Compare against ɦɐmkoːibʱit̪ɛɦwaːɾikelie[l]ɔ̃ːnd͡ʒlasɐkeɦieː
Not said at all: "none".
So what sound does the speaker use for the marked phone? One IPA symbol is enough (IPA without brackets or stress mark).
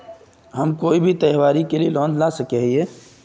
l